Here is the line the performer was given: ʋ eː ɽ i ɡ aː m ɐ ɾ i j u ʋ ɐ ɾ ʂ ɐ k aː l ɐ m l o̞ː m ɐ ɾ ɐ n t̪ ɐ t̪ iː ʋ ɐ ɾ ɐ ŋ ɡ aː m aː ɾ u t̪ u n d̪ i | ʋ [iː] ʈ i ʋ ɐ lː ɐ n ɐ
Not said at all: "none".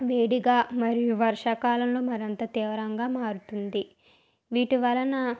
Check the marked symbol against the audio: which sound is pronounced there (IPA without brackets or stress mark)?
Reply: iː